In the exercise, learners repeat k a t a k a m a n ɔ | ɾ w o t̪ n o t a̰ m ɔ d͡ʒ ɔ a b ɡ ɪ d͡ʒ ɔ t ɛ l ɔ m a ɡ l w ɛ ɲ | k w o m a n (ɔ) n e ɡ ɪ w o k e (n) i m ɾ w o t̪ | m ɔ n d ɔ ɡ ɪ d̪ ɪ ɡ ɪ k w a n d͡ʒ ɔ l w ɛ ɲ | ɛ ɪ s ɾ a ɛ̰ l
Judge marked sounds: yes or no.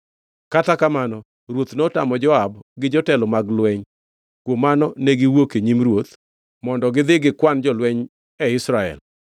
yes, no

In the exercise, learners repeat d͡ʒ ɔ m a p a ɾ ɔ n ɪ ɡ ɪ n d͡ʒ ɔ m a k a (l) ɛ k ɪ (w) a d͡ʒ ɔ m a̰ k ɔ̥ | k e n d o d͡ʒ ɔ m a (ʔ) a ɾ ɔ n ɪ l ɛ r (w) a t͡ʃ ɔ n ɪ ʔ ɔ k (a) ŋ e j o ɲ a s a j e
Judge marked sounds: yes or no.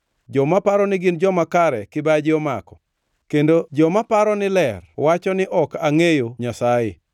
no, no, no, yes, yes

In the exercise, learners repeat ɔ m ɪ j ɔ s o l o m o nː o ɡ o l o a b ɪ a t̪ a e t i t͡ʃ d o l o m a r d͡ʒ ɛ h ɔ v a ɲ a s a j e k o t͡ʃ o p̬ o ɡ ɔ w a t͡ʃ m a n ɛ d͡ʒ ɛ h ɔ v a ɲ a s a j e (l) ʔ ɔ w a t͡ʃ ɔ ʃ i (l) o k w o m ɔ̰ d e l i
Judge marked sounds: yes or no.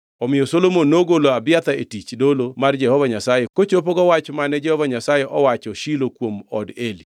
no, yes

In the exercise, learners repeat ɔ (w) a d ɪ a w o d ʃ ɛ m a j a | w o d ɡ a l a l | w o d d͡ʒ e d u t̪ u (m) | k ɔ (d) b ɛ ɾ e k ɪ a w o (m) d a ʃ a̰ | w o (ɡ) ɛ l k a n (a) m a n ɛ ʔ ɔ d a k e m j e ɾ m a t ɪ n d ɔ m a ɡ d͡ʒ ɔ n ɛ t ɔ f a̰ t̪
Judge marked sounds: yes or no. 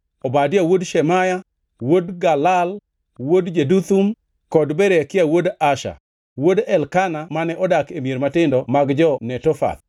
no, yes, yes, no, no, yes

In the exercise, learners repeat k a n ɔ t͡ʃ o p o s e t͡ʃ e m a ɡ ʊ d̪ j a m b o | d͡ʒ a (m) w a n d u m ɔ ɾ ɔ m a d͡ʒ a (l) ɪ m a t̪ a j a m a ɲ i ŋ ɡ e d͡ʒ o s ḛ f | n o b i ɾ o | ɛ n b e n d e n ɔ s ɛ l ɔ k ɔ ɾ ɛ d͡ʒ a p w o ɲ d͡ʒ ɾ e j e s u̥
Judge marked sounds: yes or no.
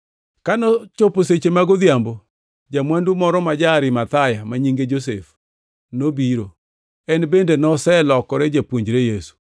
yes, no

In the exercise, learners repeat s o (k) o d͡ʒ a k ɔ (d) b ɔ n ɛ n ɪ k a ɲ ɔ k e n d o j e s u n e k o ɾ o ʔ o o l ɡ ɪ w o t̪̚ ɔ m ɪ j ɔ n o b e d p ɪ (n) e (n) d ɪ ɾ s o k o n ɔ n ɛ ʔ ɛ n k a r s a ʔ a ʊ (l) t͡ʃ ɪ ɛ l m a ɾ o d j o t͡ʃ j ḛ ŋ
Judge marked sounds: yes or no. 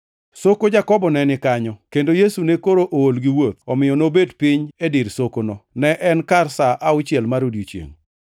yes, no, no, no, no

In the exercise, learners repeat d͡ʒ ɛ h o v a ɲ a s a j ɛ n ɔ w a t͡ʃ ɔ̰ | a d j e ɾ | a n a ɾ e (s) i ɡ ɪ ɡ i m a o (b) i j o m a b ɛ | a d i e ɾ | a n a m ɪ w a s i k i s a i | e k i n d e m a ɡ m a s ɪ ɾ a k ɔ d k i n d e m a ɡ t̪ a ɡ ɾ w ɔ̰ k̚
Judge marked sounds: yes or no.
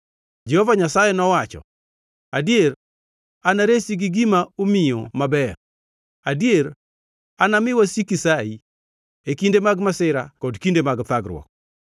yes, no

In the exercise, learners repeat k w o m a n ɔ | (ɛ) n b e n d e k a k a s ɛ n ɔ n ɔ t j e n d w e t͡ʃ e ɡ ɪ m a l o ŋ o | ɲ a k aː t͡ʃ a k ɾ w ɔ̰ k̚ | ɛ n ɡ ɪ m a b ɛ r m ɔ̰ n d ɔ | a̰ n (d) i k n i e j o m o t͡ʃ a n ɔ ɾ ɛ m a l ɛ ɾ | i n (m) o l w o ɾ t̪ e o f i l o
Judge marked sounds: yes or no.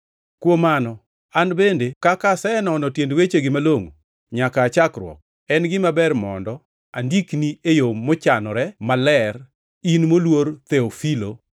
no, yes, yes

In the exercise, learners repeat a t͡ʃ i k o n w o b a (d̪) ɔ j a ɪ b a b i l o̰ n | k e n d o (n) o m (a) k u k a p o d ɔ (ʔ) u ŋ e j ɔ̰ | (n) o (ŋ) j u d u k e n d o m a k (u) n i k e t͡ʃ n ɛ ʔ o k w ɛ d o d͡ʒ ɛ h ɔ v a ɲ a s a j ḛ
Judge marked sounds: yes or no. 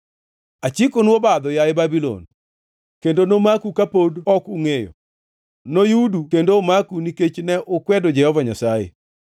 yes, yes, yes, no, yes, no, yes

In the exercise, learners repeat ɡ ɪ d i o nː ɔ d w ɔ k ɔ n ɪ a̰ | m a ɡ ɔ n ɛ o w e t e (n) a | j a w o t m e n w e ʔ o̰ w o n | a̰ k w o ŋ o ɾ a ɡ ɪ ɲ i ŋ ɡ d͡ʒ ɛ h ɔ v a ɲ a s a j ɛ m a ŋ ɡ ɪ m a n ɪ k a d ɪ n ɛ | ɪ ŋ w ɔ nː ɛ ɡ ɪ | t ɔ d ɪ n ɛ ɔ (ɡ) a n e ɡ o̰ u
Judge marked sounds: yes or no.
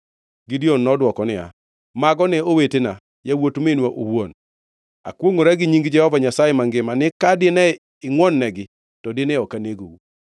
yes, no

